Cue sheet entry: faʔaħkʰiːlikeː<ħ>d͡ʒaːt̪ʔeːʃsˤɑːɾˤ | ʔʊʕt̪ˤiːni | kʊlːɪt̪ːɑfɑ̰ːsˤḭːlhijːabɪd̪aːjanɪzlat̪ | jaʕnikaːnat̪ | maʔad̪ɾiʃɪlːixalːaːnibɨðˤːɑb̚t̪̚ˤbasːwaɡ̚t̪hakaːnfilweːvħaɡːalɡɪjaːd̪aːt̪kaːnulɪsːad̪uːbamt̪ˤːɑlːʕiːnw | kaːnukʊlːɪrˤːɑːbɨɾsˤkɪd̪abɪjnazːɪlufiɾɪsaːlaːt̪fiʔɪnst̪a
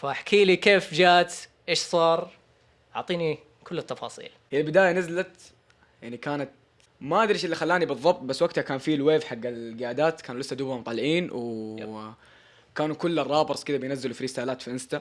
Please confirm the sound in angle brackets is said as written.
no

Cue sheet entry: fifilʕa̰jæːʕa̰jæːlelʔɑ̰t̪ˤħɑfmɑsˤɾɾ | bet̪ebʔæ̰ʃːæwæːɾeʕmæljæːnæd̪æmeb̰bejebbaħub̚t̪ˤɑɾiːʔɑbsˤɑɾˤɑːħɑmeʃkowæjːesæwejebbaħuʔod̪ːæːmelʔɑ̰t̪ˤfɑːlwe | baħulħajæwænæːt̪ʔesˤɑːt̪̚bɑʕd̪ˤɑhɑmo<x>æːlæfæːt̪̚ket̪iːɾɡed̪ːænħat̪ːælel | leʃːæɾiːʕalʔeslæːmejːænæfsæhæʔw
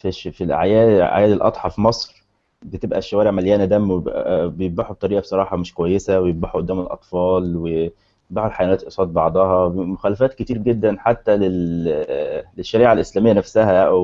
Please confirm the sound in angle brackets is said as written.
yes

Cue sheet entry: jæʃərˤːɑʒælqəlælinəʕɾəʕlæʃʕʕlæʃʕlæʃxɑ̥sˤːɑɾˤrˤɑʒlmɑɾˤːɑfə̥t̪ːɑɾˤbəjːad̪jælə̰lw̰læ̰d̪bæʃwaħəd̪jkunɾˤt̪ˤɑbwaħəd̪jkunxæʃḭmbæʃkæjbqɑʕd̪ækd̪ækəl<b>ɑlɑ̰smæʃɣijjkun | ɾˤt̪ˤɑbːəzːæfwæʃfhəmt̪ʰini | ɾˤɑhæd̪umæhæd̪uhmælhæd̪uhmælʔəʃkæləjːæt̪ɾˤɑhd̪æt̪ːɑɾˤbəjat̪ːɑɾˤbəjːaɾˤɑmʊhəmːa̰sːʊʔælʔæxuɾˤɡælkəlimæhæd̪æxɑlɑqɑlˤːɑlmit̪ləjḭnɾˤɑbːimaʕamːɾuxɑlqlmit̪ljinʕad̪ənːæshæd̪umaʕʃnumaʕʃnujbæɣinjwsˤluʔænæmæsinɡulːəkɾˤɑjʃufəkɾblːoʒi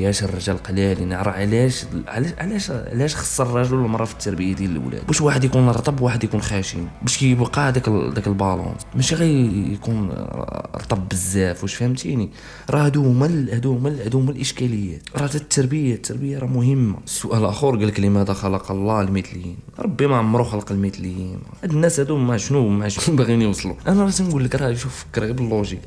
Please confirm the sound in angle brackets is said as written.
yes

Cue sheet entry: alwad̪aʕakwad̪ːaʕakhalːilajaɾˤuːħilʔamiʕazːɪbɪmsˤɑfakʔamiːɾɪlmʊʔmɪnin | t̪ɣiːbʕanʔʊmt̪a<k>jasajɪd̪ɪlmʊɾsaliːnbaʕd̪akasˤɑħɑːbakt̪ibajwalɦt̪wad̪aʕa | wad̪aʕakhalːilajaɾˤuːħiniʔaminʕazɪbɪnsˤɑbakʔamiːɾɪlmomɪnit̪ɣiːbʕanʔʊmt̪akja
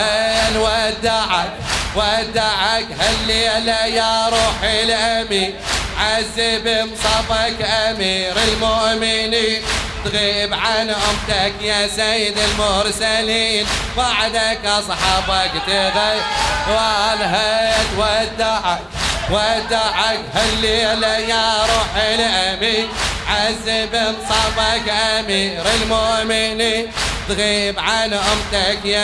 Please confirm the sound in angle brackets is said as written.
yes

